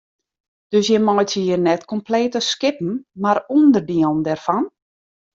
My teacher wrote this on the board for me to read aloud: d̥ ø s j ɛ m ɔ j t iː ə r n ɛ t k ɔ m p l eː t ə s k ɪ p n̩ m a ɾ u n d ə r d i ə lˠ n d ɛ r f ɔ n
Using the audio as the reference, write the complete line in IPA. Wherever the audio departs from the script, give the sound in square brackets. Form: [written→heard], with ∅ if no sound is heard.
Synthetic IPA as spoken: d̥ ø s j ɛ m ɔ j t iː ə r n ɛ t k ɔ m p l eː t ə s k ɪ p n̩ m a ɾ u n d ə r d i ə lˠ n d ɛ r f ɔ n

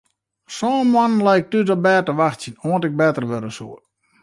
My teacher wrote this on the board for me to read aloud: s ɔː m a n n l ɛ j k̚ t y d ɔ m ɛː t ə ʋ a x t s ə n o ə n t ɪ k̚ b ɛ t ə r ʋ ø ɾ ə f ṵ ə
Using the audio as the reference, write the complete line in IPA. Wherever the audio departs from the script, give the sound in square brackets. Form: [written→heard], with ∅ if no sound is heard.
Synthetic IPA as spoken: s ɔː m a n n l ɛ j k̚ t y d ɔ [m→b] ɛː t ə ʋ a x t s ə n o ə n t ɪ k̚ b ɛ t ə r ʋ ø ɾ ə [f→s] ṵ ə

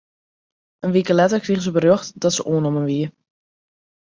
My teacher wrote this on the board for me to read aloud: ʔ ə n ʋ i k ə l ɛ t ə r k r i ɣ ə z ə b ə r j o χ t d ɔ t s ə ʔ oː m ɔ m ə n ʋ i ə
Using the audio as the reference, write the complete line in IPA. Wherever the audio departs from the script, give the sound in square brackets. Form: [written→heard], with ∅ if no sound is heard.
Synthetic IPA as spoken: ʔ ə n ʋ i k ə l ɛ t ə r k r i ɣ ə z ə b ə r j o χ t d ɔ t s ə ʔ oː [m→n] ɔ m ə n ʋ i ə

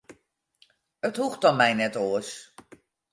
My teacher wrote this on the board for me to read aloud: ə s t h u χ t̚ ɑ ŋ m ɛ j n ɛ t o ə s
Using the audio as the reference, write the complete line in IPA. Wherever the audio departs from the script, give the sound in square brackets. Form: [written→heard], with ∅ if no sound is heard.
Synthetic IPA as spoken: ə [s→∅] t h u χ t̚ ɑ [ŋ→n] m ɛ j n ɛ t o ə s

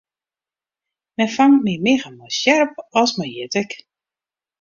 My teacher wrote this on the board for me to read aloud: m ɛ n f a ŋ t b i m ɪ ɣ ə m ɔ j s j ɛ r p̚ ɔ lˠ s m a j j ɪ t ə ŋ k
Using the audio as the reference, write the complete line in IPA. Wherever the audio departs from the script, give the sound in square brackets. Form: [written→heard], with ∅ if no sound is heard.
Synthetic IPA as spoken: m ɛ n f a ŋ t [b→m] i m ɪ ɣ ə m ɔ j s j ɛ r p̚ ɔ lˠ s m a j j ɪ t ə [ŋ→∅] k

